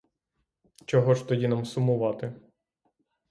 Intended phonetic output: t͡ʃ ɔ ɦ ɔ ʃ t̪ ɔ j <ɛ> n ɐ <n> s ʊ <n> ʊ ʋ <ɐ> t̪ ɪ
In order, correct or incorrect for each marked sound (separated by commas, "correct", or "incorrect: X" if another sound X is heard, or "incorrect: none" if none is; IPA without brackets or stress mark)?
incorrect: i, incorrect: m, incorrect: m, incorrect: ɑ